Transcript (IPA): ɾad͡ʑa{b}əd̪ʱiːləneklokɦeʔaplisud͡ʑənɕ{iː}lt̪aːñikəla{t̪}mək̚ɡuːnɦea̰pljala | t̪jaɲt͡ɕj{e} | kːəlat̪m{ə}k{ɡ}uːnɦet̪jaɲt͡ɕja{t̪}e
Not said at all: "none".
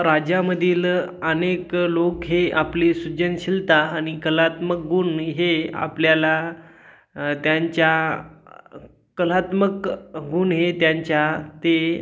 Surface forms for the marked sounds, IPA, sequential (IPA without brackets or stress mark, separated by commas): m, i, t̪, a, ə, ɡ, t̪